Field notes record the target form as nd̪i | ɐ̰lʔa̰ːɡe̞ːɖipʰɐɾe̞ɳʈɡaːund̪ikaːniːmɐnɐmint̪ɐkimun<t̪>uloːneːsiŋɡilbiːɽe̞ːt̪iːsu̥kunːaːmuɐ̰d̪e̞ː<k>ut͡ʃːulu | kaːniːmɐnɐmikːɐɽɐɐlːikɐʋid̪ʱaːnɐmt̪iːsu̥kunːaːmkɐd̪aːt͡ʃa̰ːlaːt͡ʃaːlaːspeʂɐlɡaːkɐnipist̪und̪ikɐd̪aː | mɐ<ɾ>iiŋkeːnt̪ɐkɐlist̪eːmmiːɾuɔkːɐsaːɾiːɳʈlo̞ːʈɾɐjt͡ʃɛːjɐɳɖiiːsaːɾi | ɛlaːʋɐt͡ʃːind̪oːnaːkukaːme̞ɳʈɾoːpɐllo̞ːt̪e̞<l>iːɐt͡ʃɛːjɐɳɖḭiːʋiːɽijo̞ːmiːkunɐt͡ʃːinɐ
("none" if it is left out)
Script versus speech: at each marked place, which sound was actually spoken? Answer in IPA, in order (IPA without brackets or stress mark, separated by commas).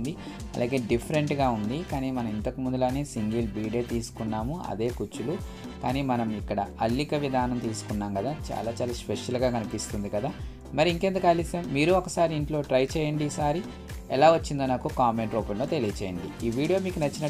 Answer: d̪, k, ɾ, l